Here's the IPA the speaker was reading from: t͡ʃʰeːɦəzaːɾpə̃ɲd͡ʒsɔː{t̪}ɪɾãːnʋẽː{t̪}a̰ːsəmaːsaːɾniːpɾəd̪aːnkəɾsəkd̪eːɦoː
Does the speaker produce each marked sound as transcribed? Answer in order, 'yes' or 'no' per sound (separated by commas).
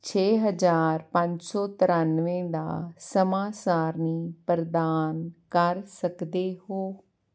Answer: yes, no